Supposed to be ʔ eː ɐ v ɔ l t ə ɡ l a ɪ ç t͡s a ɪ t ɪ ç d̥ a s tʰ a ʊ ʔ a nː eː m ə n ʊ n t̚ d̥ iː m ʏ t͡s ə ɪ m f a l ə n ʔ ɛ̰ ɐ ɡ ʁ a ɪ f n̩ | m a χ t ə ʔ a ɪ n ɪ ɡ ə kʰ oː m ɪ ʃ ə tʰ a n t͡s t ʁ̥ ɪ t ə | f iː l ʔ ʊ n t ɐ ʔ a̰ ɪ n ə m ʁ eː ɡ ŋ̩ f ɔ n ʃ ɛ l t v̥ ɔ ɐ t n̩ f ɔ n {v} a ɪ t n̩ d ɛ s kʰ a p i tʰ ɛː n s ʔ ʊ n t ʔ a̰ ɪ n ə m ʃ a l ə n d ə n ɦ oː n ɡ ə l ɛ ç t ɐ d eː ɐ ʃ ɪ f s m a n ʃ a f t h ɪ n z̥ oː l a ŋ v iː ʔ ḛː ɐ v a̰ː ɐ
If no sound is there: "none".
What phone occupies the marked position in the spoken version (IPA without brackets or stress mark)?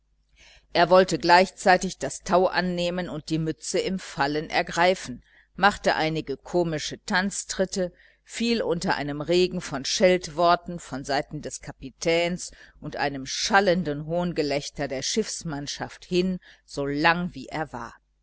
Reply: z